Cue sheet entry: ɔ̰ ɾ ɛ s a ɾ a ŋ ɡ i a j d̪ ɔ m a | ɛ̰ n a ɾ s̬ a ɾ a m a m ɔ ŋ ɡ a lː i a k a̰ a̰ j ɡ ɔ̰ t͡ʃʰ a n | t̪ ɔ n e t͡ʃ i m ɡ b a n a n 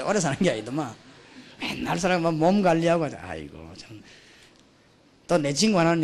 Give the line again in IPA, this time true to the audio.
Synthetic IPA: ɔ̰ ɾ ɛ s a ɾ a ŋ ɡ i a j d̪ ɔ m a | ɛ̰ n a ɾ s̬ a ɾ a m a m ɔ m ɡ a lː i a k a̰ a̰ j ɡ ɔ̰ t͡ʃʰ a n | t̪ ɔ n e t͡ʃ i ŋ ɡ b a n a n